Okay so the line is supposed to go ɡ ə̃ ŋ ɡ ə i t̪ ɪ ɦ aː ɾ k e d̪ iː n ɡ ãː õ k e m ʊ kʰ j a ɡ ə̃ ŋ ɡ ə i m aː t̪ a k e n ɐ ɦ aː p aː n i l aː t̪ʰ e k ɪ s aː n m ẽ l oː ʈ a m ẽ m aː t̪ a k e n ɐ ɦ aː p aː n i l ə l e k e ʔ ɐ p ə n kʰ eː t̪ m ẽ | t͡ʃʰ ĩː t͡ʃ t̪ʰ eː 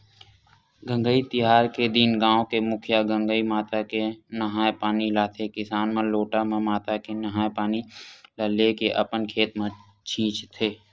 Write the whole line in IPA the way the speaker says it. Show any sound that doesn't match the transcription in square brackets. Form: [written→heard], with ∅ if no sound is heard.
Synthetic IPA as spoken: ɡ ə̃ ŋ ɡ ə i t̪ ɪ ɦ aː ɾ k e d̪ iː n ɡ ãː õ k e m ʊ kʰ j a ɡ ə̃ ŋ ɡ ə i m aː t̪ a k e n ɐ ɦ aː p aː n i l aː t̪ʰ e k ɪ s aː n m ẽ l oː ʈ a m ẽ m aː t̪ a k e n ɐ ɦ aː p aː n i l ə l e k e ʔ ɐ p ə n kʰ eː t̪ m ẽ | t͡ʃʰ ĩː t͡ʃ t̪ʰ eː